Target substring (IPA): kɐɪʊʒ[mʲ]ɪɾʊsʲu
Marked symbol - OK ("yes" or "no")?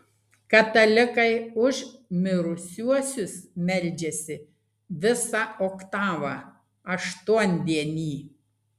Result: yes